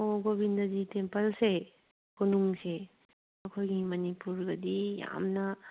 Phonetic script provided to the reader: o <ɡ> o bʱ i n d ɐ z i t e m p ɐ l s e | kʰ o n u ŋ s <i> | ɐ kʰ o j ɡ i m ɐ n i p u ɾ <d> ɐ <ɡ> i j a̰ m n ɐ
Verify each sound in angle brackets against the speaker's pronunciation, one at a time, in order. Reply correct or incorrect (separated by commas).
correct, incorrect, incorrect, incorrect